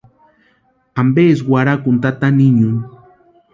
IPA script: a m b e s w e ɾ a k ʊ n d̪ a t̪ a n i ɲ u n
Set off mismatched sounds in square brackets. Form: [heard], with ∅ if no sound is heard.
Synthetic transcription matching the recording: a m b e s w [a] ɾ a k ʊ n [t̪] a t̪ a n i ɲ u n